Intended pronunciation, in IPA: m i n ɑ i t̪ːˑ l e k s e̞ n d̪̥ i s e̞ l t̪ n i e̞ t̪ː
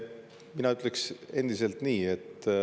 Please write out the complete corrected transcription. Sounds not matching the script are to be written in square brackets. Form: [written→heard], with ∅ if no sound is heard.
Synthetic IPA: m i n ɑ [i→y] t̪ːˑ l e k s e̞ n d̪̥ i s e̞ l t̪ n [i→iː] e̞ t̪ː